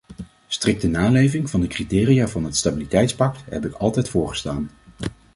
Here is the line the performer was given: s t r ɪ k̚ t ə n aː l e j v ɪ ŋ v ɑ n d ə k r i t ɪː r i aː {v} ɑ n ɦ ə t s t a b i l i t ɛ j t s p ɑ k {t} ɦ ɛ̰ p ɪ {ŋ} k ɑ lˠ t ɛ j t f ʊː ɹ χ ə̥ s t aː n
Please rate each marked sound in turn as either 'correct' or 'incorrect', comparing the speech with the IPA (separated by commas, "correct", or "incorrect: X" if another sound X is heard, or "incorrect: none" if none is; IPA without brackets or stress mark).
correct, correct, incorrect: none